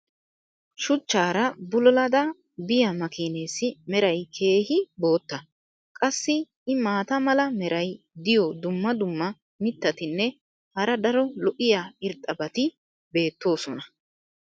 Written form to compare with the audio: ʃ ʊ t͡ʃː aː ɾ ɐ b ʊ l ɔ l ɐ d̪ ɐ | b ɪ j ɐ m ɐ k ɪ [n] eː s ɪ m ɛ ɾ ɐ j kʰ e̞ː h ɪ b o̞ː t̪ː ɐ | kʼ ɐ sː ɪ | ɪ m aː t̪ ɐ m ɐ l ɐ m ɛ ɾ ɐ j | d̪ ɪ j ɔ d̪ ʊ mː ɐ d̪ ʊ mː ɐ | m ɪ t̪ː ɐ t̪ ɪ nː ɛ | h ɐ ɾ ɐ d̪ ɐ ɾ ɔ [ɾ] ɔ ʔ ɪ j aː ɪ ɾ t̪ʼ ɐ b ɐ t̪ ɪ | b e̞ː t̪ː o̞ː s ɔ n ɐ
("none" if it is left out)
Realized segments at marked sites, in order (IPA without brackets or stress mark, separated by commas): n, l